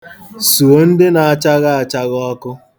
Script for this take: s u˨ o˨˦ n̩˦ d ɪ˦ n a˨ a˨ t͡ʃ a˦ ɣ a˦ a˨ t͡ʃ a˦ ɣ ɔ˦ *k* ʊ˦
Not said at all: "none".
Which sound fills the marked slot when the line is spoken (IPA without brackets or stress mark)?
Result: k